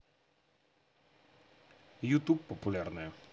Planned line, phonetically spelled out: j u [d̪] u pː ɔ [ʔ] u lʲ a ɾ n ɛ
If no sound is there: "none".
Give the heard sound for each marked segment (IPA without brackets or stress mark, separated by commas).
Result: t̪, p